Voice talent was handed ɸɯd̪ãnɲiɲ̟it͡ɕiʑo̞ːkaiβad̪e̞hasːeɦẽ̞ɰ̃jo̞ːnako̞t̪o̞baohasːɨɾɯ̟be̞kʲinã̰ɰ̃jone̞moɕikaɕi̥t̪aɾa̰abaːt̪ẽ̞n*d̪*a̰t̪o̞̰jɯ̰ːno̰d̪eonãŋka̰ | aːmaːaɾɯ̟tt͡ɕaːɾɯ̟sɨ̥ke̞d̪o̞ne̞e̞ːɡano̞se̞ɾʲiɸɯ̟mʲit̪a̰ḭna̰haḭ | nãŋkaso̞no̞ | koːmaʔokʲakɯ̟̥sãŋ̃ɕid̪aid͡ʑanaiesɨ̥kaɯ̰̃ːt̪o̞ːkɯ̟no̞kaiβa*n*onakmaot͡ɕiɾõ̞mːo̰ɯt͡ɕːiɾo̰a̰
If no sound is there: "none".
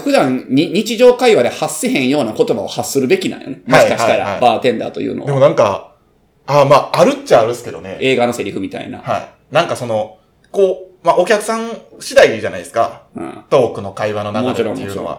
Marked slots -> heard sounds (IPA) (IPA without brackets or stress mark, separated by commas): d̪, n